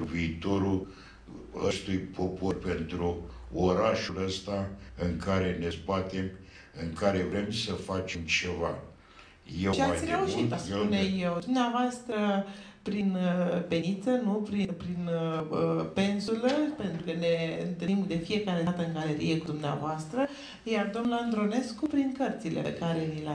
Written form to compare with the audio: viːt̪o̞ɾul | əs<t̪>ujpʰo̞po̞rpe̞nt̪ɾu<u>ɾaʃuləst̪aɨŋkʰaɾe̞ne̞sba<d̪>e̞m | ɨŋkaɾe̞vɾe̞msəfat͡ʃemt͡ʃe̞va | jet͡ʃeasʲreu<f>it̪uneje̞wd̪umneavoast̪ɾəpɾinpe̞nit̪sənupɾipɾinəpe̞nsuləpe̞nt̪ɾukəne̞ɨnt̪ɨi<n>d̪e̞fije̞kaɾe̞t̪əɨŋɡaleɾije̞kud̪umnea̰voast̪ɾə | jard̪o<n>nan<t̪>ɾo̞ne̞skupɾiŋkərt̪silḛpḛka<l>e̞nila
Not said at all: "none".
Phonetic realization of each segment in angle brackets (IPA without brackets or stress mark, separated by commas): t̪, o, t̪, ʃ, m, m, d̪, ɾ